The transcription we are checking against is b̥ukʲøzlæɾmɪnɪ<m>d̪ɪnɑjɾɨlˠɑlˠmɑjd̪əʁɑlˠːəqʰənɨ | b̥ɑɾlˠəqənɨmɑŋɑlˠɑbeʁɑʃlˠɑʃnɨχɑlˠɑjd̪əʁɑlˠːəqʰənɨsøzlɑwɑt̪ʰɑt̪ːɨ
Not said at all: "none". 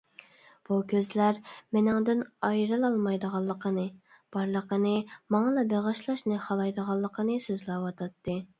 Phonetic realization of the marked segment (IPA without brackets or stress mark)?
ŋ